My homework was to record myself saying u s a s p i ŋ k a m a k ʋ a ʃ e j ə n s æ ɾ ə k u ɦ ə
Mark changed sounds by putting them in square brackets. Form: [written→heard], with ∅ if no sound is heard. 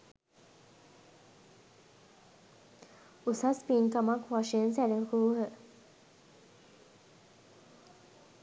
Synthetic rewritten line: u s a s p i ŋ k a m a k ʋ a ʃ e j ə n s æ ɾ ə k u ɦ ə